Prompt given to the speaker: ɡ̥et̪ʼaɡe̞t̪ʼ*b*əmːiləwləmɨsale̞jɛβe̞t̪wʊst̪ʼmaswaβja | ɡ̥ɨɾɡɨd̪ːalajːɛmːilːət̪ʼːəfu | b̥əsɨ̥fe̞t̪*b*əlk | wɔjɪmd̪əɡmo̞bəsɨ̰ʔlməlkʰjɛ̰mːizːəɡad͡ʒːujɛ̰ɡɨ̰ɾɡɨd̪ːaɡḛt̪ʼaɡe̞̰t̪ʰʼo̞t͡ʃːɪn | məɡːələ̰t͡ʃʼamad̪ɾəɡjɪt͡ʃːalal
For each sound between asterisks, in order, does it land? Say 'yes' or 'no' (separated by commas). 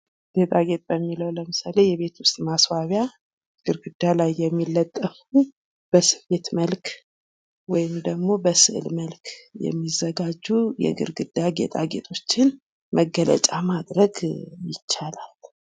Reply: yes, no